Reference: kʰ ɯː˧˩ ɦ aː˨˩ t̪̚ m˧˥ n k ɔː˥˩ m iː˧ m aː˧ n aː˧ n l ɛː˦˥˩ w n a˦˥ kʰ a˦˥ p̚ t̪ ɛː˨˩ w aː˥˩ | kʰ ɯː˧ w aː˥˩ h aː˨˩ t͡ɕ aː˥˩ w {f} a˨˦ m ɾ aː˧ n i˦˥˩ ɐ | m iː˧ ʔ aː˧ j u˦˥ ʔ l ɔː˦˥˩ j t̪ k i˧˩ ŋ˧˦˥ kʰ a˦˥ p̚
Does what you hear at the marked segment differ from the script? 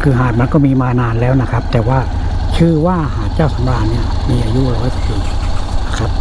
yes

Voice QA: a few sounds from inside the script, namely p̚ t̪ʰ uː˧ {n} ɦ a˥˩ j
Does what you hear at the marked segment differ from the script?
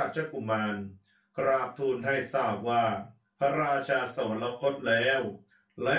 no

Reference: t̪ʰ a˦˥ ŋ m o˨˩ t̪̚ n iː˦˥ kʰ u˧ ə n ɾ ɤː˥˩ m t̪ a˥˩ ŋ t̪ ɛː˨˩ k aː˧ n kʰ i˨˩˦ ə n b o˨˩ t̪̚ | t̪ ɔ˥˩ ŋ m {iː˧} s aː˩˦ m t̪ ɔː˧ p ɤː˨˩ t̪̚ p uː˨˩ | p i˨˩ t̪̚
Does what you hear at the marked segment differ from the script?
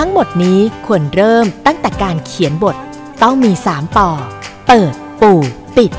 no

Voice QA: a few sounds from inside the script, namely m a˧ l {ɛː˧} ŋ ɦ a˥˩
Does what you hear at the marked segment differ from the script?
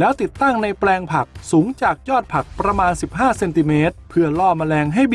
no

